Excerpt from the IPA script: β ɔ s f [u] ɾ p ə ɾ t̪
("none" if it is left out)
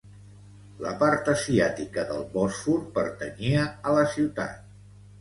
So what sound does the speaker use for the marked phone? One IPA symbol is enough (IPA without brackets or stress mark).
u